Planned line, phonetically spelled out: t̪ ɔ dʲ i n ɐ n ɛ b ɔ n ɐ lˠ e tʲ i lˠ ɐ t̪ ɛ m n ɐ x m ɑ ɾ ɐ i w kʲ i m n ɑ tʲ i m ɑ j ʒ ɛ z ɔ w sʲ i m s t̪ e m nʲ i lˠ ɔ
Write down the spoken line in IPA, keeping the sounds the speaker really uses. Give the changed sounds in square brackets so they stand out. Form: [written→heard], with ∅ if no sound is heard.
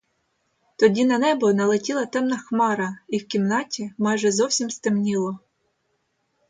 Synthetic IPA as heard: t̪ ɔ dʲ i n ɐ n ɛ b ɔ n ɐ lˠ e tʲ i lˠ ɐ t̪ ɛ m n ɐ x m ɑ ɾ ɐ i w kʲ i m n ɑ tʲ i m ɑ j ʒ ɛ z ɔ w sʲ i m s t̪ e m nʲ i lˠ ɔ